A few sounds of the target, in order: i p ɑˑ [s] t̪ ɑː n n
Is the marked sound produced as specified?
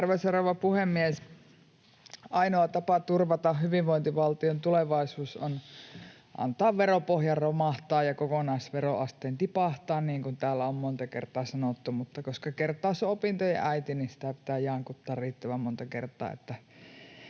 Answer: no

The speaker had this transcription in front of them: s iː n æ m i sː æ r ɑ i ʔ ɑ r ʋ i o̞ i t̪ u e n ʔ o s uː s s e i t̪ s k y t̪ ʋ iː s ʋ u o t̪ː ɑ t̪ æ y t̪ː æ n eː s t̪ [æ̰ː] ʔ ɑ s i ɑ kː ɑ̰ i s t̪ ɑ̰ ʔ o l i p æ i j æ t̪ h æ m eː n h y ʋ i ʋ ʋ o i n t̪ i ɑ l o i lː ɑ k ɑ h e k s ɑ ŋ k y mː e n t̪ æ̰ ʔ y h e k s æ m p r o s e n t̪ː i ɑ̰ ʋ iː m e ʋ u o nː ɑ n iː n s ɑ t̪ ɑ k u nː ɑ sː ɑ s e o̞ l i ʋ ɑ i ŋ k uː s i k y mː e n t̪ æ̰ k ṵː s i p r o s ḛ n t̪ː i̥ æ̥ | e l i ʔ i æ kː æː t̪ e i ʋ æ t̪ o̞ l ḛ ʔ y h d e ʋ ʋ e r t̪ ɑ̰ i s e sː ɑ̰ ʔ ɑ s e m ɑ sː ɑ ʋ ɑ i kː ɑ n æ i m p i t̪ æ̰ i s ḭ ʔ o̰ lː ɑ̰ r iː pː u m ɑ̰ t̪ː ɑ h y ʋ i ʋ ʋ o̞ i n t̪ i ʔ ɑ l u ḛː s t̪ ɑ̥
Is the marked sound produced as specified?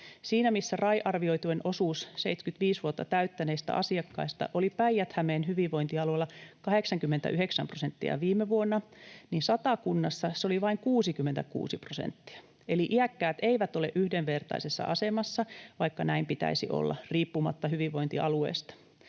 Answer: no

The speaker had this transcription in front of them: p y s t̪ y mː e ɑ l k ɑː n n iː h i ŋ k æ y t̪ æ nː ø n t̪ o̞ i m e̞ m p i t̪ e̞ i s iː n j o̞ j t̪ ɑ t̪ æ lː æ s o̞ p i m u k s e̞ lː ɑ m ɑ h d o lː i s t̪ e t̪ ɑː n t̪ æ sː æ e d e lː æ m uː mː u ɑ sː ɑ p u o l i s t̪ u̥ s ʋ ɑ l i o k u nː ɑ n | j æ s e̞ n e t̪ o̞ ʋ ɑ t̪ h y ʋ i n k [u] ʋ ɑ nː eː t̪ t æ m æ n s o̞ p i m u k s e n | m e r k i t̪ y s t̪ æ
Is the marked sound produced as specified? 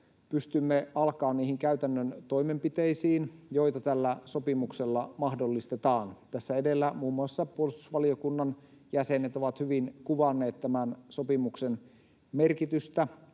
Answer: yes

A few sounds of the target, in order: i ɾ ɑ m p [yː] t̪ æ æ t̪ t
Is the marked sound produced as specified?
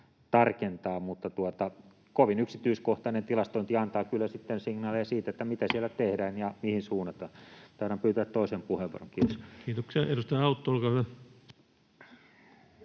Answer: yes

